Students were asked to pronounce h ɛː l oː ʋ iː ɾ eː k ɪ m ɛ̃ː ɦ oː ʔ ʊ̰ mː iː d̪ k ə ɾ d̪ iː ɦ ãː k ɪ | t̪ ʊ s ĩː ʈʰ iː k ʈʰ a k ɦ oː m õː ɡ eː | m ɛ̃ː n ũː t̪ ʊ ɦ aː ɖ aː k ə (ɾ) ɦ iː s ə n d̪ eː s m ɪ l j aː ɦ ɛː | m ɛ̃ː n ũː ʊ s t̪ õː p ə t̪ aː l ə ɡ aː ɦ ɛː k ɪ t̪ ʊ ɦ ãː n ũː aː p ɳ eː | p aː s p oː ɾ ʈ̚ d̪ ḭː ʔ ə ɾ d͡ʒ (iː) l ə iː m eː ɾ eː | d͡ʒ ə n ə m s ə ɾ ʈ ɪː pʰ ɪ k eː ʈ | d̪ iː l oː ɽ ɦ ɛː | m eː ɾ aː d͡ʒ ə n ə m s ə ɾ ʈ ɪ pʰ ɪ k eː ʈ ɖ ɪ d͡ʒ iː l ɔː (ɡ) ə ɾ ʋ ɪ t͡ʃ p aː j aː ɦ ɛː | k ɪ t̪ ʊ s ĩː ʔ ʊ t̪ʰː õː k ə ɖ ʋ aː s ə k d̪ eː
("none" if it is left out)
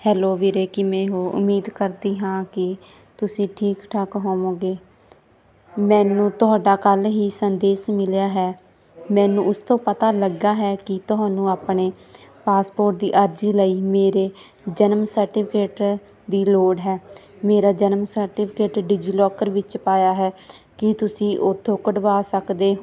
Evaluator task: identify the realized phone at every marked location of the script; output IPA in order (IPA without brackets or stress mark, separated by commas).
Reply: l, iː, k